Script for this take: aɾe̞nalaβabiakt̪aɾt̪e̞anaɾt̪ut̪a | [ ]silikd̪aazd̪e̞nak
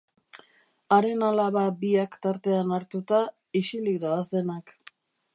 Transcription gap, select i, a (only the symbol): i